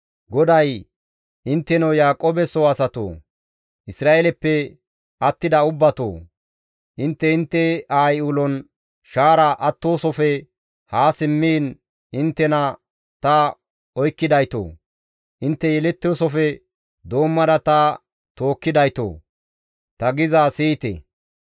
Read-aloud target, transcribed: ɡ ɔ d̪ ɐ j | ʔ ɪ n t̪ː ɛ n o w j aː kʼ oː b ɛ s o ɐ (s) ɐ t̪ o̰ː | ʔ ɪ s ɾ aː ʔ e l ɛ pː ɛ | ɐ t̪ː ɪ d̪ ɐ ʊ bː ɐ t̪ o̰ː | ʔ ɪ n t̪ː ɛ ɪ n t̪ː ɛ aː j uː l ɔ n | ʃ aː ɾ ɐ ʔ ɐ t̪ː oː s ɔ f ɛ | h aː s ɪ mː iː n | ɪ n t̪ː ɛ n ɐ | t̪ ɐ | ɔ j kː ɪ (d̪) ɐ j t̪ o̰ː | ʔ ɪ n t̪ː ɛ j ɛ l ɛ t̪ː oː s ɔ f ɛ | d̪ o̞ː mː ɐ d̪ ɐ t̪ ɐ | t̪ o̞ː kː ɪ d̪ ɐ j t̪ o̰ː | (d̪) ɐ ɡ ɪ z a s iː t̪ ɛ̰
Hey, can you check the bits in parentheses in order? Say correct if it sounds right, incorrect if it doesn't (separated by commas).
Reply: correct, correct, incorrect